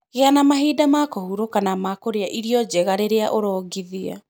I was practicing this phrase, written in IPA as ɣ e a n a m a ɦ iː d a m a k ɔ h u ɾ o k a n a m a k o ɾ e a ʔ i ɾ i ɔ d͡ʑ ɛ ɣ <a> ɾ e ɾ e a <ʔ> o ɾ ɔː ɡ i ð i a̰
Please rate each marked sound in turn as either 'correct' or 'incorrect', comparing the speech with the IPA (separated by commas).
correct, correct